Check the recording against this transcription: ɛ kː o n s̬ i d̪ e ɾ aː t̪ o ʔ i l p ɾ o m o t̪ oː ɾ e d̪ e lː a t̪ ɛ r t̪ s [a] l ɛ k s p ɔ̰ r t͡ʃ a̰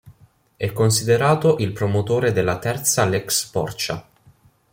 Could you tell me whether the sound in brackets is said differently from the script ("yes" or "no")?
no